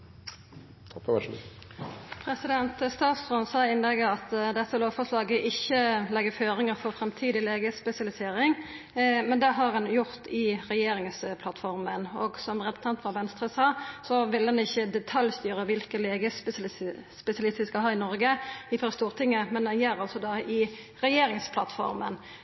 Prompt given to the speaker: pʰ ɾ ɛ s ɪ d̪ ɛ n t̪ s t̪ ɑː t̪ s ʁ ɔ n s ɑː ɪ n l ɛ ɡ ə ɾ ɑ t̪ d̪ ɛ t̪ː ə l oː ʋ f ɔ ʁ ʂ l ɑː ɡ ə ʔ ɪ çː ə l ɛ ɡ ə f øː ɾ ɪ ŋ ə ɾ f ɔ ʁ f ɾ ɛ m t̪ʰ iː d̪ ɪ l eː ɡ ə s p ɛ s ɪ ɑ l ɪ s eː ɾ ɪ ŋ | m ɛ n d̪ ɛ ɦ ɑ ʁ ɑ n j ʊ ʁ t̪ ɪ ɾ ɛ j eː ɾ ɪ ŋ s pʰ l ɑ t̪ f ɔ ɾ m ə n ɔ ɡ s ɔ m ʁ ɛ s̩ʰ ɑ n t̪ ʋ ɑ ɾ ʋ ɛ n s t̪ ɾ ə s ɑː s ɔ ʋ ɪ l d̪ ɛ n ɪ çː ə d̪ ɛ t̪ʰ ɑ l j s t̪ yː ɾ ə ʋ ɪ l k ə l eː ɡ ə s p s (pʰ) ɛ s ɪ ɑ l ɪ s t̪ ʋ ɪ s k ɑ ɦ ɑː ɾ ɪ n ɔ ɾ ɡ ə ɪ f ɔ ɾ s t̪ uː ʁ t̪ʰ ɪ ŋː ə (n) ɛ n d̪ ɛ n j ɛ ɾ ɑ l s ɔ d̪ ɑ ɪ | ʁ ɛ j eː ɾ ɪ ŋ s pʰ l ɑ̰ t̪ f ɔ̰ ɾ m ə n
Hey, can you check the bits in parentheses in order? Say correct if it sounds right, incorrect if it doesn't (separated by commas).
incorrect, incorrect